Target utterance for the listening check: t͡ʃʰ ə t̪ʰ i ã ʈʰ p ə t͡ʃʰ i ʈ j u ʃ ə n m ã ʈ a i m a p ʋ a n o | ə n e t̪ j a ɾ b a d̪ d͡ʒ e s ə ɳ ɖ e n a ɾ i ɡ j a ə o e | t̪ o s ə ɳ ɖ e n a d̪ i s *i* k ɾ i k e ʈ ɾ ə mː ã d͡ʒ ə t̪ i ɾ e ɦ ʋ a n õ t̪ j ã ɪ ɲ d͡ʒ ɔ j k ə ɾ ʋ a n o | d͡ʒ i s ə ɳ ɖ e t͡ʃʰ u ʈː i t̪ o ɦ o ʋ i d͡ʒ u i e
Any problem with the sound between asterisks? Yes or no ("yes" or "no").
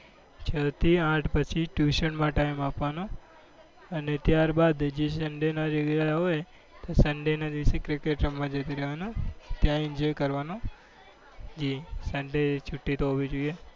yes